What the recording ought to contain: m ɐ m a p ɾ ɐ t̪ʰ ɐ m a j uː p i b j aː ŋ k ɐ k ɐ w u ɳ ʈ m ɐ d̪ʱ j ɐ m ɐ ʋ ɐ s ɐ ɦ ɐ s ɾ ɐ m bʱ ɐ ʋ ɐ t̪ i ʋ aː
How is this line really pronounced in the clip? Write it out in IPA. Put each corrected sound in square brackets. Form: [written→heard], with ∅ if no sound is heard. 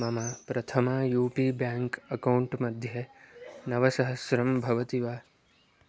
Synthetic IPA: m ɐ m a p ɾ ɐ t̪ʰ ɐ m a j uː p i b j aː ŋ k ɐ k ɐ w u ɳ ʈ m ɐ d̪ʱ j ɐ [m→n] ɐ ʋ ɐ s ɐ ɦ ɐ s ɾ ɐ m bʱ ɐ ʋ ɐ t̪ i ʋ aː